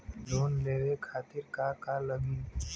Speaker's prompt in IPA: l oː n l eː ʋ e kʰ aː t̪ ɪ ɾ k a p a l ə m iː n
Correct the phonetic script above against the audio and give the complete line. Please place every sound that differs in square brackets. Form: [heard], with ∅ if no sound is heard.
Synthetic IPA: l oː n l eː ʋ e kʰ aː t̪ ɪ ɾ k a [k] a l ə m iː n